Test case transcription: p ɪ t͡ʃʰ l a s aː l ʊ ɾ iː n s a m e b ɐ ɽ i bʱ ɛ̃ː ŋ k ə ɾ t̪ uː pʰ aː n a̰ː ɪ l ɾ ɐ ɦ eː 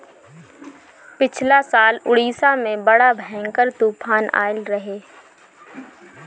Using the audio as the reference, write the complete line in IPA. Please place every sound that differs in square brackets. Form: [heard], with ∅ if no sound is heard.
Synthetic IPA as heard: p ɪ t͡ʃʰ l a s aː l ʊ [ɽ] iː [∅] s a m [ẽ] b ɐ ɽ [a] bʱ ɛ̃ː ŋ k ə ɾ t̪ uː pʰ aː n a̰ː ɪ l ɾ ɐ ɦ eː